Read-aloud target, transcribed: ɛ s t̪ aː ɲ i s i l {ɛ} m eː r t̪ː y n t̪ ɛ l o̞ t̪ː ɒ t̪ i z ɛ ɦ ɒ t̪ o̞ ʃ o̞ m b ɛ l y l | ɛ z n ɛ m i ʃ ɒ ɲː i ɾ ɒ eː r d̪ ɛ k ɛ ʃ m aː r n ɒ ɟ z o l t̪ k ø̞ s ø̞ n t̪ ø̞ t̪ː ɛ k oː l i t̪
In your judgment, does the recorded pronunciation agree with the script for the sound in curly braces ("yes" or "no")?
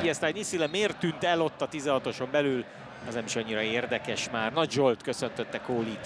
yes